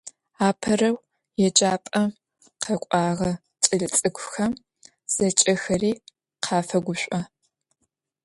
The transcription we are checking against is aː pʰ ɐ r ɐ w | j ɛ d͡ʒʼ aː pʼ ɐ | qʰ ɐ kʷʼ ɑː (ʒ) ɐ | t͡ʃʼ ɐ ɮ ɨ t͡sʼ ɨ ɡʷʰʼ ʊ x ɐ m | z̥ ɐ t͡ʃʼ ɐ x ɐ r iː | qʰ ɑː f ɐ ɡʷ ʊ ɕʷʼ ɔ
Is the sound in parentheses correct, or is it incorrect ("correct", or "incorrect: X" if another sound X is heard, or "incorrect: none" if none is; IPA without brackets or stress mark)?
incorrect: ʁ